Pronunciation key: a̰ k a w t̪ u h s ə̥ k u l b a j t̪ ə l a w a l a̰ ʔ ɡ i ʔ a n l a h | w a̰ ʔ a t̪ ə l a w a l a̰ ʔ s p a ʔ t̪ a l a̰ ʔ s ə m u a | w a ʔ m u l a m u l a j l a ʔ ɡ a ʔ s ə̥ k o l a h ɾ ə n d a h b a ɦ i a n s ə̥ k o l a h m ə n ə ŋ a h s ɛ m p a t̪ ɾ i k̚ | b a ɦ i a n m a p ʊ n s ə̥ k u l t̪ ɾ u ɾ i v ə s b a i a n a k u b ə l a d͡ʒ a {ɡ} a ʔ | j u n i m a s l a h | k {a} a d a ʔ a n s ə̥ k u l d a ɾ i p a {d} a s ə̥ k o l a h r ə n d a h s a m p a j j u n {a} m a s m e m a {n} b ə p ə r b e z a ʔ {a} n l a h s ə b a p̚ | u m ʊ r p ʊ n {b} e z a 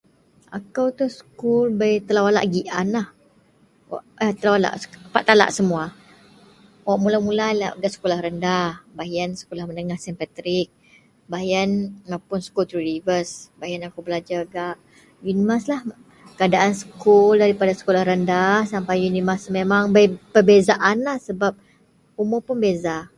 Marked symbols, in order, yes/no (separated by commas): yes, no, yes, no, no, yes, yes